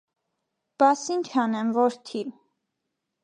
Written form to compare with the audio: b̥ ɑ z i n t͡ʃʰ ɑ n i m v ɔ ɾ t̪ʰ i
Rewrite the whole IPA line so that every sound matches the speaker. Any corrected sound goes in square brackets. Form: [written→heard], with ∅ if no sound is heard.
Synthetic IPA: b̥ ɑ [z→s] i n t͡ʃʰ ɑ n [i→ɛ] m v ɔ ɾ t̪ʰ i